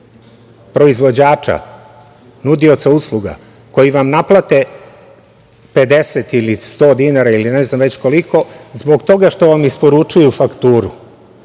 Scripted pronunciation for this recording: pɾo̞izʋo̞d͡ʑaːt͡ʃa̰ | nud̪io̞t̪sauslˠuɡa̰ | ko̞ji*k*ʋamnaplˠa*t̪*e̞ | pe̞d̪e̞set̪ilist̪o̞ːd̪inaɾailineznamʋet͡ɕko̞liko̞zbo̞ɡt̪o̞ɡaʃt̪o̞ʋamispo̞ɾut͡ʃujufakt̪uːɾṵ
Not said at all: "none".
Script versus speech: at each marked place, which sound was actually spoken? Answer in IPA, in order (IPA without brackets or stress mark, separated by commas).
none, t̪